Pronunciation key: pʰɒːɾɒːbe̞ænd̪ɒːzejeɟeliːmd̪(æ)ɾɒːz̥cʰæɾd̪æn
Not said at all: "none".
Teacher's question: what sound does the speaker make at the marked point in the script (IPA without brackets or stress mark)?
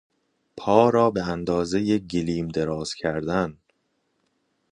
e